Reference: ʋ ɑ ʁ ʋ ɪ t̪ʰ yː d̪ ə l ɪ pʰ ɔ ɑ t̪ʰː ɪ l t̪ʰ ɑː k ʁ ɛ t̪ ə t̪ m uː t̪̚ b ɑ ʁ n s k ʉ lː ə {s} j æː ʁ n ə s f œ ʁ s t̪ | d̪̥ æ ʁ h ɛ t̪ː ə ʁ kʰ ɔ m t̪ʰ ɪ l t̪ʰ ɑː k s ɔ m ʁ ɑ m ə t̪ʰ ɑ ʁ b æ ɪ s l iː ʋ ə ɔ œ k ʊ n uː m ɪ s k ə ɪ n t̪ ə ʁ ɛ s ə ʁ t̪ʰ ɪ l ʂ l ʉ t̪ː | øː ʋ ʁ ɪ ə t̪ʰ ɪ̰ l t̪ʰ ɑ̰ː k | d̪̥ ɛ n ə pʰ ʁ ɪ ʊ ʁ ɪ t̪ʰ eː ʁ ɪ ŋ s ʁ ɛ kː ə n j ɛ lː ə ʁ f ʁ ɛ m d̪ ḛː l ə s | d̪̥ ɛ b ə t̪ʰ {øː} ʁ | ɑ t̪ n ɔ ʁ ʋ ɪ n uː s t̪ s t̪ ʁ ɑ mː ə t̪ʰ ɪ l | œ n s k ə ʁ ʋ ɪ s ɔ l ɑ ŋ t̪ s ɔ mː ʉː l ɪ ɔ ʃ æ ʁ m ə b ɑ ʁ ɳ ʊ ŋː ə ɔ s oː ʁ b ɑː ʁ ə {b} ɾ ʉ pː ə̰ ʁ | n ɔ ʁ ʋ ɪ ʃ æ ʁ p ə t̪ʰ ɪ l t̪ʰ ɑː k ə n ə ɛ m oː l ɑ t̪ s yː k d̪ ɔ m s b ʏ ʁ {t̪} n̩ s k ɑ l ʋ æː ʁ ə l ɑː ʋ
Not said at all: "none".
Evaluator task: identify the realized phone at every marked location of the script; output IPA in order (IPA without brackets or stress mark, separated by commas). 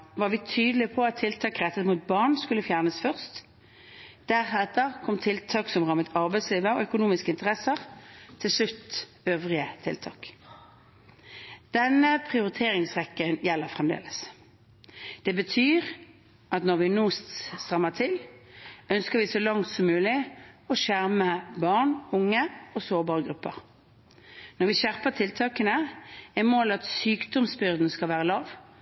f, yː, ɡ, d̪